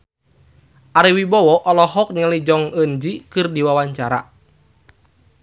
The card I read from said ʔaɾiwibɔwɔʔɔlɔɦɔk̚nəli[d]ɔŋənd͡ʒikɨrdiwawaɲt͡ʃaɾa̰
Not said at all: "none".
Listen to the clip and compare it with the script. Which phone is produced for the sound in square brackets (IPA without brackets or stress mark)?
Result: d͡ʒ